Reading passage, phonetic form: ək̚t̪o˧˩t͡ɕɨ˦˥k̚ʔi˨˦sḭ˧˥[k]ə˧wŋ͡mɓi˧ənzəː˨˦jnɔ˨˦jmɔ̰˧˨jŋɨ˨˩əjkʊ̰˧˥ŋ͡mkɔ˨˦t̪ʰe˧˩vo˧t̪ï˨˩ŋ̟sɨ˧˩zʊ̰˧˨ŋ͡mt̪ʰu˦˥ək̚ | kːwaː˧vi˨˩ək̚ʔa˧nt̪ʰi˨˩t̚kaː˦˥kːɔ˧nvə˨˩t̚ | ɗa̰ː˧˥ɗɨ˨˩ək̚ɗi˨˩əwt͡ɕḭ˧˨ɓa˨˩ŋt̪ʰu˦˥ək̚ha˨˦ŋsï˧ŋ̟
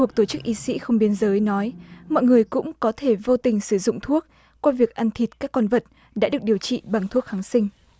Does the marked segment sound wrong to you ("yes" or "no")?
yes